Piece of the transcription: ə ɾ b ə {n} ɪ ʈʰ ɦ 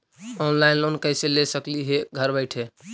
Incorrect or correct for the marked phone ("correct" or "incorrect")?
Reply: incorrect